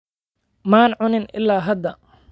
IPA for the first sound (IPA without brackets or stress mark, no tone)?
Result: m